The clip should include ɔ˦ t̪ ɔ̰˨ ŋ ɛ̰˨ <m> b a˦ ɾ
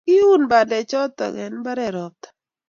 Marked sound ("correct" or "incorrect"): incorrect